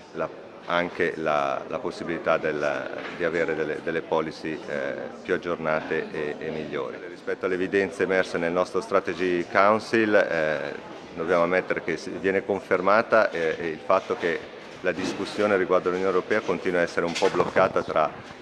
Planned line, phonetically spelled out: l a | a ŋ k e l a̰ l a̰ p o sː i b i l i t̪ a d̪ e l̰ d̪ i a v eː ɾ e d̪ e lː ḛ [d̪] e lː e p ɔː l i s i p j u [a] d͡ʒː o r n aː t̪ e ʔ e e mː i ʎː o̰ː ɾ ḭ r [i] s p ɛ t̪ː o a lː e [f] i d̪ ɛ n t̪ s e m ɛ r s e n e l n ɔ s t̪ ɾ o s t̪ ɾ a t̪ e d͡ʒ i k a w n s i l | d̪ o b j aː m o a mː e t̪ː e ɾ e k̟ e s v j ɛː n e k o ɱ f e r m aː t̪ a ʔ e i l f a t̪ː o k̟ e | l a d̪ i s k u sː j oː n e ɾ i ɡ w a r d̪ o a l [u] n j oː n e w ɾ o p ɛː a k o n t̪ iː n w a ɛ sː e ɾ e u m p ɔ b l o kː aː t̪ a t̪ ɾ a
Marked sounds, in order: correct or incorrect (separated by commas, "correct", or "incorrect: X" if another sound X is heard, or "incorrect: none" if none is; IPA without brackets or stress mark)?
correct, correct, correct, incorrect: v, correct